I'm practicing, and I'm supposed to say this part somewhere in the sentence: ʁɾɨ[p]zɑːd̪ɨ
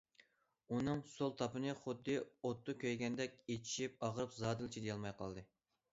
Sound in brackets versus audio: correct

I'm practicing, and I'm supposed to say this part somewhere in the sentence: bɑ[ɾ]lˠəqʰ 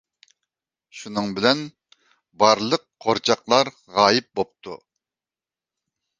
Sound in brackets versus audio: correct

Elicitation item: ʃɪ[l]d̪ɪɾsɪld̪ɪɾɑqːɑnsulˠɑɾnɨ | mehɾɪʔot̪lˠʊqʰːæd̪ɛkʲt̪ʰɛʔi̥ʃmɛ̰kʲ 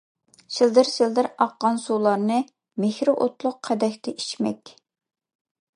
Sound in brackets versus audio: correct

